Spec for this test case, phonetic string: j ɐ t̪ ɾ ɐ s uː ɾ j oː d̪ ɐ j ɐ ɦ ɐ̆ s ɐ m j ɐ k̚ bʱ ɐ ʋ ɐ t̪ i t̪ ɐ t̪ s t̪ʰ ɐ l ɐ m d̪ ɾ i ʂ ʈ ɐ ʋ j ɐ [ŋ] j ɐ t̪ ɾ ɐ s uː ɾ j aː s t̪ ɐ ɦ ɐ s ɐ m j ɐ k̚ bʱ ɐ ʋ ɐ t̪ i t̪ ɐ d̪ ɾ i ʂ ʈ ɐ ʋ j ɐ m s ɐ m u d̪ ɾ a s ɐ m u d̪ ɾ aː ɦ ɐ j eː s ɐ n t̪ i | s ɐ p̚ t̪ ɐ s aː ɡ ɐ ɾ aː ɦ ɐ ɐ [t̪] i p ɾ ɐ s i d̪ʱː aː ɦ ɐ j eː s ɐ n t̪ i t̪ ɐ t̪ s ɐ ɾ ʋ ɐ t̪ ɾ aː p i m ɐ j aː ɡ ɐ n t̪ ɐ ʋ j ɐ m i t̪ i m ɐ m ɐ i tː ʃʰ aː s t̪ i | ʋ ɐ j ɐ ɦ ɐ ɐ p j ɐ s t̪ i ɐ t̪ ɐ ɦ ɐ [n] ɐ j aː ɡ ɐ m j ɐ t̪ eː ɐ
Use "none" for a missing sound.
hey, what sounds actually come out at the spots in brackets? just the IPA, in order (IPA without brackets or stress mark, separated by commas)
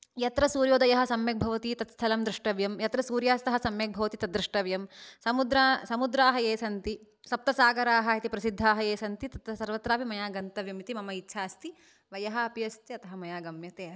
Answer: m, t̪, m